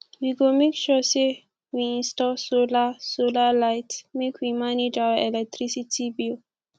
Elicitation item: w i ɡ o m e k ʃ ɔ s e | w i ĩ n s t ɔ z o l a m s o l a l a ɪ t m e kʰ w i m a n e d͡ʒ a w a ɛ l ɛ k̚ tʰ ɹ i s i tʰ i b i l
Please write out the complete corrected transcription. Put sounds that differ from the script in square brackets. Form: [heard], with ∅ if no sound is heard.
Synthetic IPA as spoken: w i ɡ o m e k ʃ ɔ s e | w i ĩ n s t ɔ [s] o l a [∅] s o l a l a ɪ t m e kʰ w i m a n e d͡ʒ a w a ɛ l ɛ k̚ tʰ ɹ i s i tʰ i b i l